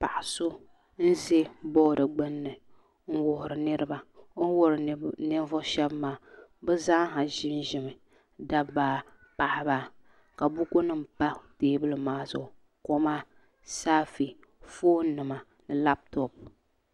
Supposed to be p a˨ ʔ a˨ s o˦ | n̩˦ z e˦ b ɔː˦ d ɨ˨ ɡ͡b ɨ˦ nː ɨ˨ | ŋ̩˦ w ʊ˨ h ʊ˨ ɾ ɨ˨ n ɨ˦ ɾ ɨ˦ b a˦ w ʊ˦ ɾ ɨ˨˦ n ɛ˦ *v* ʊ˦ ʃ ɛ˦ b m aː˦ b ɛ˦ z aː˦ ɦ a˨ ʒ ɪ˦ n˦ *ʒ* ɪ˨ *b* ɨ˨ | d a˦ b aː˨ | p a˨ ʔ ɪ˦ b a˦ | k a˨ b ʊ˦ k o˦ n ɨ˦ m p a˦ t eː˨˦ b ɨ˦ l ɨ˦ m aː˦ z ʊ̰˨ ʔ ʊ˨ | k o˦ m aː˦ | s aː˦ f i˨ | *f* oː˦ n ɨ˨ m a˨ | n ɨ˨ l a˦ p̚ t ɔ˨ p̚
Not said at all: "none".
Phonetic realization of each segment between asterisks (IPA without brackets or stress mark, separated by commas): v, ʒ, m, f